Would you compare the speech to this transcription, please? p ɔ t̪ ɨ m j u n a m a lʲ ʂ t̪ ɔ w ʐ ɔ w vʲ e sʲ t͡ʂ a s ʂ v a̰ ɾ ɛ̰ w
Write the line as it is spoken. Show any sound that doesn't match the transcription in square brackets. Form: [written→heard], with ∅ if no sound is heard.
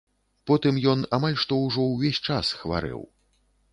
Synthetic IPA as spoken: p ɔ t̪ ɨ m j [u→ɔ] n a m a lʲ ʂ t̪ ɔ w ʐ ɔ w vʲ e sʲ t͡ʂ a s [ʂ→x] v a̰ ɾ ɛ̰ w